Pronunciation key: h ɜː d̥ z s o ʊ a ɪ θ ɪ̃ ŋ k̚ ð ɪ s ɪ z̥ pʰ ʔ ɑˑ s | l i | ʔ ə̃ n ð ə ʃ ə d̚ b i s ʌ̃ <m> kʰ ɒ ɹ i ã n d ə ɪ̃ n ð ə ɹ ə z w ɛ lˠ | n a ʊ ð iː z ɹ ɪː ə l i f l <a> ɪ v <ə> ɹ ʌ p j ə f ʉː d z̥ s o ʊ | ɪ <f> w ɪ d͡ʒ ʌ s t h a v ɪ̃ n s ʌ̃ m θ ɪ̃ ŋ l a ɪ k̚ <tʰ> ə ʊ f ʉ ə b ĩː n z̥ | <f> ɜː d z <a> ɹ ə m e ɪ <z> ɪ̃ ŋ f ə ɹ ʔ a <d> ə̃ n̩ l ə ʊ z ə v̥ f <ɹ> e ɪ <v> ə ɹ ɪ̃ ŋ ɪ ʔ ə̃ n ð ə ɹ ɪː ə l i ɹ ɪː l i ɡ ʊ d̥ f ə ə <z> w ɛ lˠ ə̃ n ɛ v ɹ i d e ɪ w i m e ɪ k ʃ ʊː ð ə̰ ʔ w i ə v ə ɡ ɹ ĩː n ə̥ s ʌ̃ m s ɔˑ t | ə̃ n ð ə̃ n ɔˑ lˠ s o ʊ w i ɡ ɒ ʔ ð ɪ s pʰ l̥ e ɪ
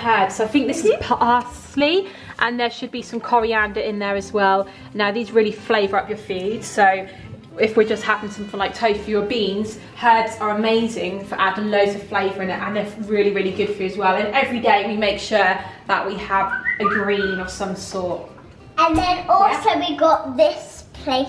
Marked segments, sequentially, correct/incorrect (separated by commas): correct, incorrect, correct, correct, correct, incorrect, incorrect, correct, correct, incorrect, correct, correct